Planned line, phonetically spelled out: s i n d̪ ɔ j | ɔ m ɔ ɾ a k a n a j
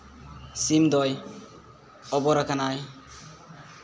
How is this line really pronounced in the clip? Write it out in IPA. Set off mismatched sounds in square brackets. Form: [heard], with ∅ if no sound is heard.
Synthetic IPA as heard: s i [m] d̪ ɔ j | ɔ [b] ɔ ɾ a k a n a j